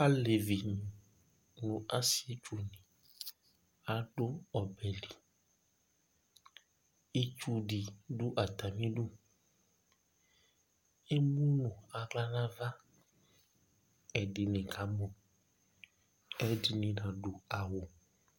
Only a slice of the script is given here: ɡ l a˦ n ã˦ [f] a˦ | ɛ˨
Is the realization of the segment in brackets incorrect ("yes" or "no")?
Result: yes